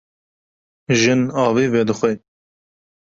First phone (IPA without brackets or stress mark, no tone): ʒ